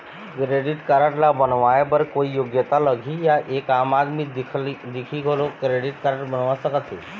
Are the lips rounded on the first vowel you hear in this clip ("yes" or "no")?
no